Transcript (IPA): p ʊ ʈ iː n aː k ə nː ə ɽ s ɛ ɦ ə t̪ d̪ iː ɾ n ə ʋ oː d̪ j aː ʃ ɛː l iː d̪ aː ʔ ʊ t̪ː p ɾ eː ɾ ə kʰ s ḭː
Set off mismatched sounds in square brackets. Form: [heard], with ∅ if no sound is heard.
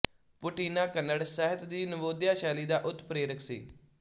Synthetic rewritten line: p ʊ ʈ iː n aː k ə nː ə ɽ s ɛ ɦ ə t̪ d̪ iː [∅] n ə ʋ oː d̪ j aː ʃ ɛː l iː d̪ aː ʔ ʊ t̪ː p ɾ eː ɾ ə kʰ s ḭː